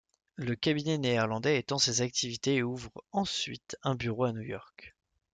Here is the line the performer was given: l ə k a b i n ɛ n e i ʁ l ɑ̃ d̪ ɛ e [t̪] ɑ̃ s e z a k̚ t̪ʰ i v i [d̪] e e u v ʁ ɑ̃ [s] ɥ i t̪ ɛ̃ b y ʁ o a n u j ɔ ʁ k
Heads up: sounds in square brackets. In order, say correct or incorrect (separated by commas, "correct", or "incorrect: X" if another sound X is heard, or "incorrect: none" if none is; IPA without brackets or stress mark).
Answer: correct, incorrect: t̪, correct